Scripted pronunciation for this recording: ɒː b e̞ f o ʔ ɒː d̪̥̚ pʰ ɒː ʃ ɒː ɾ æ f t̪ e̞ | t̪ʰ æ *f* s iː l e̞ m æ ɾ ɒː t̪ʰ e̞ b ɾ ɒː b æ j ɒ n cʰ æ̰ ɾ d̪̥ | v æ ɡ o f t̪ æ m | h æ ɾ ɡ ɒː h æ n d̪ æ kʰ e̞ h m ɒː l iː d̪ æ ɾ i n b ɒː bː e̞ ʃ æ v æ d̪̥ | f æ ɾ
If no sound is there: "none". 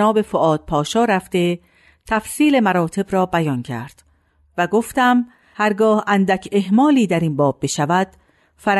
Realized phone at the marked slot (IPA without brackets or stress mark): f